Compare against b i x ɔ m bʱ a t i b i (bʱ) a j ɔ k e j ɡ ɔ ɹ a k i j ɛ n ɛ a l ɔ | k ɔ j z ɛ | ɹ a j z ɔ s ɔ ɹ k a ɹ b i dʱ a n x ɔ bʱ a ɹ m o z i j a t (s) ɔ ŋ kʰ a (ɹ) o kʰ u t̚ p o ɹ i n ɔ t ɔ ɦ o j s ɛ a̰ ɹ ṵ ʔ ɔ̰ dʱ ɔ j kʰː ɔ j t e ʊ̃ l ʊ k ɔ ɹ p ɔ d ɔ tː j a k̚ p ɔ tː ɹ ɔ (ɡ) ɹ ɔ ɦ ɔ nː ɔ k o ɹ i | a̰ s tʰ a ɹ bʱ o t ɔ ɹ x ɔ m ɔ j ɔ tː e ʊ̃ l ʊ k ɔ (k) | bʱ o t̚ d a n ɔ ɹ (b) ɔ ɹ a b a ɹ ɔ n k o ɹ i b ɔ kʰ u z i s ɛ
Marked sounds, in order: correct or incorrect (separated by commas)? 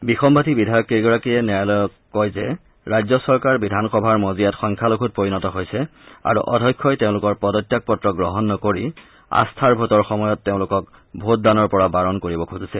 incorrect, incorrect, incorrect, correct, correct, incorrect